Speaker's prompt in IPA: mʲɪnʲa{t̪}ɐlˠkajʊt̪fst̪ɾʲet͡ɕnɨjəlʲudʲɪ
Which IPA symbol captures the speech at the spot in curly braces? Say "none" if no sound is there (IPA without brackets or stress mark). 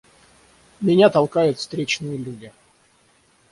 t̪